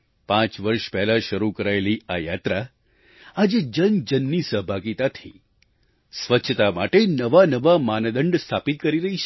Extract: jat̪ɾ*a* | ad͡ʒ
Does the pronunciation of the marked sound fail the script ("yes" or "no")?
no